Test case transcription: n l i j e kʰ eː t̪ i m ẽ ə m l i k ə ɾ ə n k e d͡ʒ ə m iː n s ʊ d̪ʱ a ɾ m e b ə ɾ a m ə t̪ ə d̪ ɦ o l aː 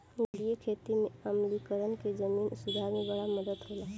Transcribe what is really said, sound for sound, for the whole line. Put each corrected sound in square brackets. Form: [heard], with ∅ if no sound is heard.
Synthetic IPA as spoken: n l i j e kʰ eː t̪ i m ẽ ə m l i k ə ɾ ə n k e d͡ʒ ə m iː n s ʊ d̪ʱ a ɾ m e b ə [ɽ] a m ə [d̪] ə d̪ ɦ o l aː